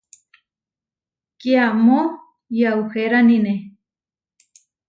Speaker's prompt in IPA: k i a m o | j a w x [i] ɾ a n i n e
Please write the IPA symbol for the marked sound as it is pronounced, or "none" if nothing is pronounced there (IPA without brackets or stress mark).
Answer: e